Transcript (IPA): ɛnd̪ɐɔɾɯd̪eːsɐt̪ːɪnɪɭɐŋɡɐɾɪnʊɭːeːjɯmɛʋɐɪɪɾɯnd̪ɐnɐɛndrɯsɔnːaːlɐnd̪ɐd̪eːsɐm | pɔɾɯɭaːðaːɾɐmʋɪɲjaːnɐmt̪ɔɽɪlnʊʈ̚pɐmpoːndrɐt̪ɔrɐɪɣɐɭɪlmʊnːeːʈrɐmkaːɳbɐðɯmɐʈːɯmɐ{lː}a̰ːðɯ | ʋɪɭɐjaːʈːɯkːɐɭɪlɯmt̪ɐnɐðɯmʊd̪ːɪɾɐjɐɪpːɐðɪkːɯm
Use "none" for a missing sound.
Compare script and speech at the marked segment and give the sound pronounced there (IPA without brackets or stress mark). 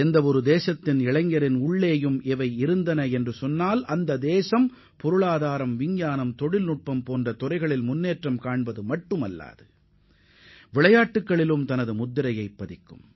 lː